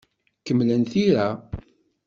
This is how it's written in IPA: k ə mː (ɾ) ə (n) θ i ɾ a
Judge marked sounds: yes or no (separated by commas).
no, yes